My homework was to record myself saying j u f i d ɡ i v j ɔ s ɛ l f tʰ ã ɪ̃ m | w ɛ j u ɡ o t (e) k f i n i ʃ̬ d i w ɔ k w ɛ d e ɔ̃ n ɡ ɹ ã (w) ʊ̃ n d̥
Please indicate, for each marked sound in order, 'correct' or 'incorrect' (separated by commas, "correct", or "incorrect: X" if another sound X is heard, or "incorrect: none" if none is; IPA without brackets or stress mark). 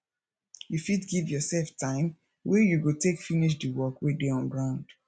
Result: correct, incorrect: none